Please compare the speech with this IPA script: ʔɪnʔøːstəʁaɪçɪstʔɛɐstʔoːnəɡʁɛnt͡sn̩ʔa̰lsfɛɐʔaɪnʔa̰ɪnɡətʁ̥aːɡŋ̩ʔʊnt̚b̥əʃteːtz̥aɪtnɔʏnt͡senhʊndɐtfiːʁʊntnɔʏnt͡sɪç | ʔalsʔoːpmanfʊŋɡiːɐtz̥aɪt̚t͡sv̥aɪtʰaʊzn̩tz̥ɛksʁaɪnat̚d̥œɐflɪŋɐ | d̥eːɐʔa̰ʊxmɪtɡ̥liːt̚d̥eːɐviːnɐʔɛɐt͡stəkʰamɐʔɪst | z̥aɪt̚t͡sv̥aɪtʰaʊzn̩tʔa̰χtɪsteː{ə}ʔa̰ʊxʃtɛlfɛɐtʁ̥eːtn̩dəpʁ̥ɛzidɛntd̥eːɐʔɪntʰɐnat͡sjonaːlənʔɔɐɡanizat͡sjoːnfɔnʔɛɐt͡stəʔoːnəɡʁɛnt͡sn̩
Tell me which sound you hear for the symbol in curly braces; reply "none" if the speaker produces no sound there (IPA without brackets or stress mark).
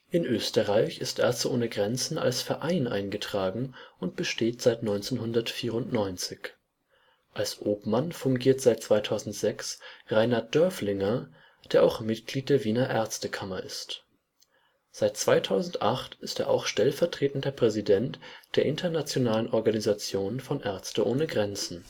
ɐ